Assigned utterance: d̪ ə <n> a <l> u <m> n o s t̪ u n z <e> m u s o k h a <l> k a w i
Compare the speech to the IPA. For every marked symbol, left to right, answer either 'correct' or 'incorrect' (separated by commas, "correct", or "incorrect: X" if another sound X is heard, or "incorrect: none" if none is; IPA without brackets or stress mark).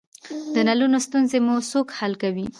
correct, correct, incorrect: none, correct, correct